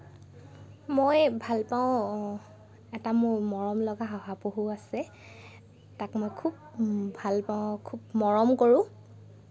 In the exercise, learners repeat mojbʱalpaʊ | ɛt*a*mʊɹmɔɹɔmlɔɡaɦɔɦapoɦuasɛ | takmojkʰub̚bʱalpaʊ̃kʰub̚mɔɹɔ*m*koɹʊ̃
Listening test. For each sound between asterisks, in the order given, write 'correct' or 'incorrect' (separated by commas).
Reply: correct, correct